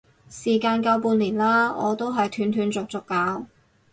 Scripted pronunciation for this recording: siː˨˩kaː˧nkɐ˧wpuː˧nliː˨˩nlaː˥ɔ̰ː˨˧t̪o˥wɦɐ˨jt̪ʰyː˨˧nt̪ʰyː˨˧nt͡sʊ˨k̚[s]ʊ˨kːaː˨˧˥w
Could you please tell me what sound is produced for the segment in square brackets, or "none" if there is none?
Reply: t͡s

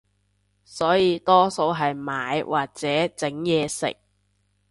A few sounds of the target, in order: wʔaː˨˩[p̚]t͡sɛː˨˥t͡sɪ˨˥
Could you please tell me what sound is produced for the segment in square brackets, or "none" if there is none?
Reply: k̚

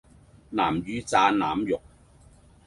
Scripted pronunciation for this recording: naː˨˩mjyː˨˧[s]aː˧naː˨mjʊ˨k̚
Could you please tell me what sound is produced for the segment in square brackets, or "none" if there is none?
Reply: t͡s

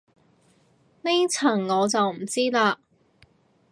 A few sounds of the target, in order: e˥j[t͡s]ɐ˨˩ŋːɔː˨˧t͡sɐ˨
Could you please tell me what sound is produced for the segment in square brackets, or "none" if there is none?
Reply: t͡sʰ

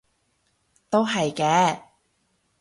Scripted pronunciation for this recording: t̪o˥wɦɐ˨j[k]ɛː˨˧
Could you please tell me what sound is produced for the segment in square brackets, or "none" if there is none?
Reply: k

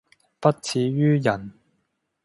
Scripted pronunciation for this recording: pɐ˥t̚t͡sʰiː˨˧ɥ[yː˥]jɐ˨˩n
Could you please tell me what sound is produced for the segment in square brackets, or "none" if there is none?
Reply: yː˥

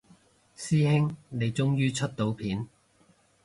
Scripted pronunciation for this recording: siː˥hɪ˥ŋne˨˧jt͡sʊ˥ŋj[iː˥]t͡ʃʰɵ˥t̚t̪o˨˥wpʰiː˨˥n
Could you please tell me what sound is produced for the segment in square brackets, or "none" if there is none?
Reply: yː˥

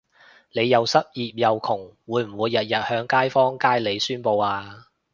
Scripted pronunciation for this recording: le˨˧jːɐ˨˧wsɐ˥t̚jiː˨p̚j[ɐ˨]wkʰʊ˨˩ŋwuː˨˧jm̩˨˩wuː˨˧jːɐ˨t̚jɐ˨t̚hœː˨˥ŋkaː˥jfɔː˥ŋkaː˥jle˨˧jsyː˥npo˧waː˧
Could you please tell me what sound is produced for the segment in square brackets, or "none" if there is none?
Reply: ɐ˨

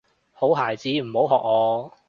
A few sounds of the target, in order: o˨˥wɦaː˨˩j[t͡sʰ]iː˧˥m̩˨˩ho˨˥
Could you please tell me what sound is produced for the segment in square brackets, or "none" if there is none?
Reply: t͡s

